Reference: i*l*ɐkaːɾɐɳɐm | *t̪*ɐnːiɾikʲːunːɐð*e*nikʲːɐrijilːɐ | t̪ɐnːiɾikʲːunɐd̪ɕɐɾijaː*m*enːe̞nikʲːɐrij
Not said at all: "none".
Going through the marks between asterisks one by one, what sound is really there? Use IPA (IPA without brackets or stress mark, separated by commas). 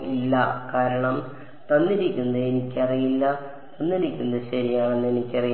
lː, t̪, e, ɳ